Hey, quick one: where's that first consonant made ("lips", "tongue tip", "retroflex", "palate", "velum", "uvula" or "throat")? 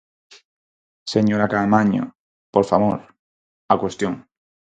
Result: tongue tip